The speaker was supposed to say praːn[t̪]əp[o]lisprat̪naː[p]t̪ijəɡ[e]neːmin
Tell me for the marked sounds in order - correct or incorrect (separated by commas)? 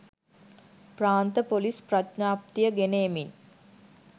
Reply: correct, correct, correct, correct